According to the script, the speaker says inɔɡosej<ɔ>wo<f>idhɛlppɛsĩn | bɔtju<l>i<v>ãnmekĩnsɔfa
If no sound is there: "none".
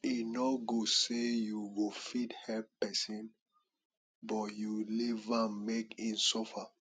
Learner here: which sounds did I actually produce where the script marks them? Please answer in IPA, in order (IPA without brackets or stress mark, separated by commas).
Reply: u, f, l, v